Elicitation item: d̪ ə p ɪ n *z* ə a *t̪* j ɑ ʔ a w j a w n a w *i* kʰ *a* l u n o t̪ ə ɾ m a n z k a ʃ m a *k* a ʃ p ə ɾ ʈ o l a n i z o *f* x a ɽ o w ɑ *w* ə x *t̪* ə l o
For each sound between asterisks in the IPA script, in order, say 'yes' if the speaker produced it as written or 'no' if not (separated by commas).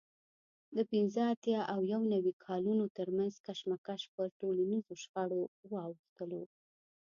yes, yes, yes, no, yes, no, yes, yes